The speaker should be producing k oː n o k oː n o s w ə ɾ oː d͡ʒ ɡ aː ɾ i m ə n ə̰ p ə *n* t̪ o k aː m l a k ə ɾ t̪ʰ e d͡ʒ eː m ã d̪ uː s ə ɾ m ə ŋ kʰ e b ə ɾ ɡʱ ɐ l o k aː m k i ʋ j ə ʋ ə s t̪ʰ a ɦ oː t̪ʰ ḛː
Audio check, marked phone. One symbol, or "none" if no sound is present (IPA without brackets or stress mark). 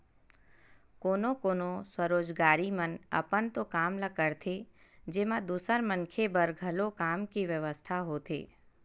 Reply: n